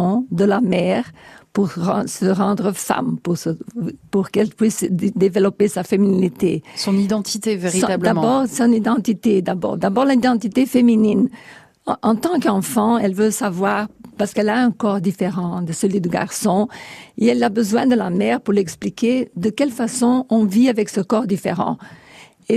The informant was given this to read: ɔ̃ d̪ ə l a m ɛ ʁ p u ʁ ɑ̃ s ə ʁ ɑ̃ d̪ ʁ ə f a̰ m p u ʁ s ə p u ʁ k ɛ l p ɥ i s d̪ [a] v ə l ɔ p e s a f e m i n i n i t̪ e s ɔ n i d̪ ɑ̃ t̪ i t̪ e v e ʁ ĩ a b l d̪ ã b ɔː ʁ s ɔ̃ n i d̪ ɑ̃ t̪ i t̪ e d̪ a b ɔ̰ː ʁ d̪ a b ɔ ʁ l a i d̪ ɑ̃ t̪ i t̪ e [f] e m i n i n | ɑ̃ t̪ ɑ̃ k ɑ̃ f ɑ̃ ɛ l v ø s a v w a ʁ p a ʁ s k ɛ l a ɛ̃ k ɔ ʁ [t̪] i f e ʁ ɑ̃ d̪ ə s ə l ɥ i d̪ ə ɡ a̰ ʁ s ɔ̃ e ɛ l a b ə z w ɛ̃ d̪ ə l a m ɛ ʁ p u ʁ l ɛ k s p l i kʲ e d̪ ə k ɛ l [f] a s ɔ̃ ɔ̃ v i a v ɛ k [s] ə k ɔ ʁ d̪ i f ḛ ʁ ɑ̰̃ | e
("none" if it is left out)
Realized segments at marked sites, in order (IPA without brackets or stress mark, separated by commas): e, f, d̪, f, s